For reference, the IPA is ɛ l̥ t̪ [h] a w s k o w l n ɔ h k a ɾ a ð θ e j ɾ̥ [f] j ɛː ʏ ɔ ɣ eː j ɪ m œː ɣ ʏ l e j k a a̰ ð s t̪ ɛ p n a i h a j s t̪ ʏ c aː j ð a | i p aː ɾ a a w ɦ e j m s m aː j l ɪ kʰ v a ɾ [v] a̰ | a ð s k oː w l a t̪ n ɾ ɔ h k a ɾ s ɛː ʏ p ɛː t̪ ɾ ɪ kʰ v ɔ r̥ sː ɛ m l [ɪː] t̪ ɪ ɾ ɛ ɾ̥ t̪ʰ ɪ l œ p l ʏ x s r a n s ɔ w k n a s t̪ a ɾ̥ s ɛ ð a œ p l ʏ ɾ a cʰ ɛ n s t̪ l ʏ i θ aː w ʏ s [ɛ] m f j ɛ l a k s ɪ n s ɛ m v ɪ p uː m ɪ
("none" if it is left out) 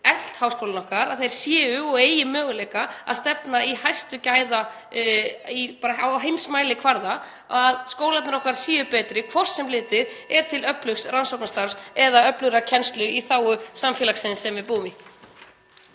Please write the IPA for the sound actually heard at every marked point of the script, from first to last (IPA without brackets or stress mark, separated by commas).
h, s, ð, ɪː, a